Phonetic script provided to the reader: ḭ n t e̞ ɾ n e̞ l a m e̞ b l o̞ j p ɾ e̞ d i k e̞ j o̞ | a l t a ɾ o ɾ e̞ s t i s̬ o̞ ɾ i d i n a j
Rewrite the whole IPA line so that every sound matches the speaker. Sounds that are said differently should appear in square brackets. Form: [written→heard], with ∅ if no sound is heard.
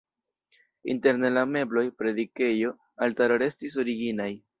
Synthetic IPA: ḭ n t e̞ ɾ n e̞ l a m e̞ b l o̞ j p ɾ e̞ d i k e̞ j o̞ | a l t a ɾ o ɾ e̞ s t i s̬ o̞ ɾ i [d→ɡ] i n a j